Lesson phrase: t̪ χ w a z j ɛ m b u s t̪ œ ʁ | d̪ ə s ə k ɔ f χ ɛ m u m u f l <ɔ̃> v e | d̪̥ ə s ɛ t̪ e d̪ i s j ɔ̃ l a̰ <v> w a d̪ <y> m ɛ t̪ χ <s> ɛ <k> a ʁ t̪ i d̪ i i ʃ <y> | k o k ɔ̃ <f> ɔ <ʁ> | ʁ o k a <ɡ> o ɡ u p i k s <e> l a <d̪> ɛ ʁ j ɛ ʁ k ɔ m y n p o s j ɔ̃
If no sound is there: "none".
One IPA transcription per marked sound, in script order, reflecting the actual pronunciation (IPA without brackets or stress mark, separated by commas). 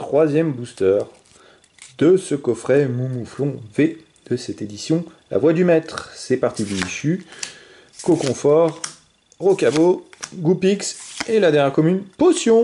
ɔ̃, v, y, s, p, y, f, ʁ, b, e, d̪